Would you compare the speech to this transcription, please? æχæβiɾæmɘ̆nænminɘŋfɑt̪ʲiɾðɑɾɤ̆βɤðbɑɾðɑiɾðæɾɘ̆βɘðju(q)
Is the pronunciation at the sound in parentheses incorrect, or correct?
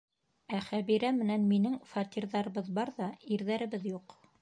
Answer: correct